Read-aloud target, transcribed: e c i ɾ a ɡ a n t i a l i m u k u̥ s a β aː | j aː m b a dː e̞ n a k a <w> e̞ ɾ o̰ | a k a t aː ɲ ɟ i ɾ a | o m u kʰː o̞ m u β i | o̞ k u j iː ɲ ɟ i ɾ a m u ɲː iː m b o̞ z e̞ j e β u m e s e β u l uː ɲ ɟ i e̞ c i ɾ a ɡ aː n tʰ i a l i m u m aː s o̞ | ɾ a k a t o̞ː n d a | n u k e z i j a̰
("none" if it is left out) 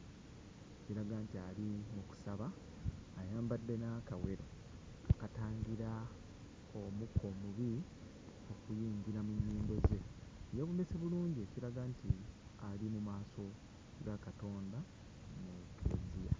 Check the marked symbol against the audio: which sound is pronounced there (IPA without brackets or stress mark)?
w